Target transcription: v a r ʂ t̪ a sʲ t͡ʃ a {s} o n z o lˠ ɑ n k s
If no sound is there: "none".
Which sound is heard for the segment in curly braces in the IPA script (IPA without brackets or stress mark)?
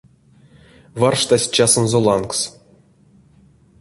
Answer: s